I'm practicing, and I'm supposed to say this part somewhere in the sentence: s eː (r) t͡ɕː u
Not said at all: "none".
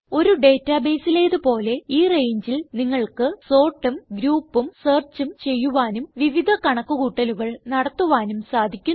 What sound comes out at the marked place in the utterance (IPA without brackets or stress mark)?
r